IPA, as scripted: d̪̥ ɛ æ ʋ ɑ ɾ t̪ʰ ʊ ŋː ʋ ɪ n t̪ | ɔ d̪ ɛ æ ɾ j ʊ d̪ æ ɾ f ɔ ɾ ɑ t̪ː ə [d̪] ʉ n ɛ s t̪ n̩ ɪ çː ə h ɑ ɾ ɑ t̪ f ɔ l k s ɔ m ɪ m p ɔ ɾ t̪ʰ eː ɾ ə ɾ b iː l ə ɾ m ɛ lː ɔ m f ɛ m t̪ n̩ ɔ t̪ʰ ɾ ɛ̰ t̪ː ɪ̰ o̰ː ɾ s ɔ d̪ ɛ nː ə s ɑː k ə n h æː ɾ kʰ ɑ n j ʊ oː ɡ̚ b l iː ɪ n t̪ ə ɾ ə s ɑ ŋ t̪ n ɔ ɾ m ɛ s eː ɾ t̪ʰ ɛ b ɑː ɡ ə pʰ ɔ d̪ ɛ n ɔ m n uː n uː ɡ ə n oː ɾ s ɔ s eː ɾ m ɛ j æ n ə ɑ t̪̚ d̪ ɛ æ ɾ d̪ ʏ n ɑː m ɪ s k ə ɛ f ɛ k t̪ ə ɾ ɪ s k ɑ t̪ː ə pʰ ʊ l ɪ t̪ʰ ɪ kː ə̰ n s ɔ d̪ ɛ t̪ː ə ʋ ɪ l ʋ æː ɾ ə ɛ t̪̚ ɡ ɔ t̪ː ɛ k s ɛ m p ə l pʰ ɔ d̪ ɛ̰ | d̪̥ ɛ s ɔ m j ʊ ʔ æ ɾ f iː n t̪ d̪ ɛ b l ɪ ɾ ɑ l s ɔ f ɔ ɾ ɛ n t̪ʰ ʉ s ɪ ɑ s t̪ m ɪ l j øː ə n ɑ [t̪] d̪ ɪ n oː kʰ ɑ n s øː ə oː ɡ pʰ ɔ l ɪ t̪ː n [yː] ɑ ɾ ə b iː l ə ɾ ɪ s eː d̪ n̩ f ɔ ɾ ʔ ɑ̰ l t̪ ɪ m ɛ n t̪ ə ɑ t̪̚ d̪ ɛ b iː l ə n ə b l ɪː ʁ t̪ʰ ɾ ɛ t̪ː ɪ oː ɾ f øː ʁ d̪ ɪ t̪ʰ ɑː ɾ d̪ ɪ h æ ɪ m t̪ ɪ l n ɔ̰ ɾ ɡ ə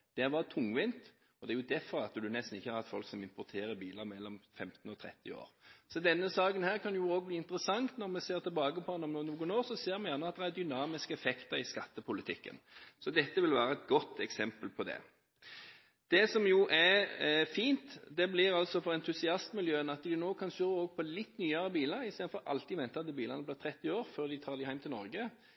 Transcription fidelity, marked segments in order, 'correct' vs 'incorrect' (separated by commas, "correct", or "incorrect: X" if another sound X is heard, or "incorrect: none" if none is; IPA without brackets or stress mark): correct, correct, correct